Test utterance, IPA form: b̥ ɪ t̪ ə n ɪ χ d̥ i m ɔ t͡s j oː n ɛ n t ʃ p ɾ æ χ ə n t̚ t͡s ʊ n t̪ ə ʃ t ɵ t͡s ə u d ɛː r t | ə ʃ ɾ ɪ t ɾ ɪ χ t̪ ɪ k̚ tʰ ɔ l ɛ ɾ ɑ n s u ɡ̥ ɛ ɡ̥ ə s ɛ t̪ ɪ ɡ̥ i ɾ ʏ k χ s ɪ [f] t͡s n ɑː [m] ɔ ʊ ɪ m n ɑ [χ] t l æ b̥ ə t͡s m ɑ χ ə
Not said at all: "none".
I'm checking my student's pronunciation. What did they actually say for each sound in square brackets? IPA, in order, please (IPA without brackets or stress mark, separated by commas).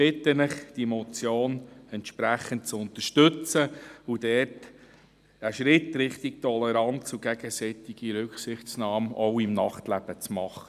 χ, m, χ